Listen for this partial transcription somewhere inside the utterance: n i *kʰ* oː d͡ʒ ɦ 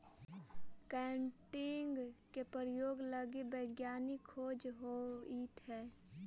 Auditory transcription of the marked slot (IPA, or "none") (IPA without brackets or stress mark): kʰ